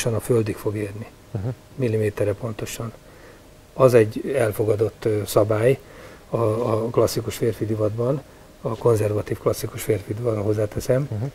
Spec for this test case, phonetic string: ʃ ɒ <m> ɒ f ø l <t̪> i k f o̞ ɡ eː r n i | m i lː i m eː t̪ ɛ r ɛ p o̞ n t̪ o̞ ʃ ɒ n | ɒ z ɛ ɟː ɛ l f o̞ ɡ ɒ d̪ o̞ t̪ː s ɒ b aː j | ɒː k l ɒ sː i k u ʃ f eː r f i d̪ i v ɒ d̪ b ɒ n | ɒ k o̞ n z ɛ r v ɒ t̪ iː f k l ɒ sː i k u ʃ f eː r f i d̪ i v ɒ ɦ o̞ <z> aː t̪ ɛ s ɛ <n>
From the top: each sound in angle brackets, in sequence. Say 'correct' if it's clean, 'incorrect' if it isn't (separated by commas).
incorrect, incorrect, incorrect, incorrect